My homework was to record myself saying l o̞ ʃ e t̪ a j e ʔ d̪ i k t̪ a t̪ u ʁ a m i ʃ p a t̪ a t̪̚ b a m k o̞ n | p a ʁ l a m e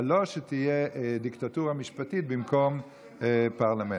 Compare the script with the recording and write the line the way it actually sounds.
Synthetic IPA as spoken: l o̞ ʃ e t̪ i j e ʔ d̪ i k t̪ a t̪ u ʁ a m i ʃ p a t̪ i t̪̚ b i m k o̞ m | p a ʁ l a m e